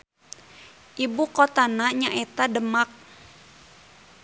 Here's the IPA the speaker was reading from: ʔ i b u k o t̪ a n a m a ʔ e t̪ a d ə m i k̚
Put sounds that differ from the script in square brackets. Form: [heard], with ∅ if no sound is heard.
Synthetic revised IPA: ʔ i b u k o t̪ a n a [ɲ] a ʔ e t̪ a d ə m [a] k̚